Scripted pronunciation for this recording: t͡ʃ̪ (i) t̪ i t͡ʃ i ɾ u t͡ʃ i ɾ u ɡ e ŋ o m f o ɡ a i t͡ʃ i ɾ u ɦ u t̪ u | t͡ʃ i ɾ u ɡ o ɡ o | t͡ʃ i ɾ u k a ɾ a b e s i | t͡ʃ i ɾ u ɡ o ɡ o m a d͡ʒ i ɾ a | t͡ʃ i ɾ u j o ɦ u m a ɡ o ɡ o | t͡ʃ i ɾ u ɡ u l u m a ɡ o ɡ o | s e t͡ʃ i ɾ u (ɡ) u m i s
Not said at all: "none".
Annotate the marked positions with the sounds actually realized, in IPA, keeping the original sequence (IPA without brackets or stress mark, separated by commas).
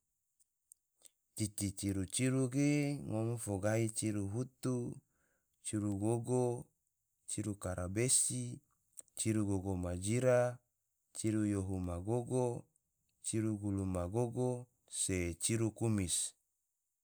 i, k